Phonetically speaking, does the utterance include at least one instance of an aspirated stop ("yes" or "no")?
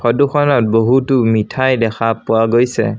yes